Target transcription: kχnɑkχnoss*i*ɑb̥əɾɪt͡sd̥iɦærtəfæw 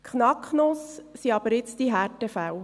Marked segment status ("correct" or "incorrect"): correct